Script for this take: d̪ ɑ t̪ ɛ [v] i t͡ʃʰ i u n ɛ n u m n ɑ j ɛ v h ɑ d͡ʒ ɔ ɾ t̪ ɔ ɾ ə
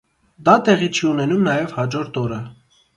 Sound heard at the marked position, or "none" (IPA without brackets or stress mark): ʁ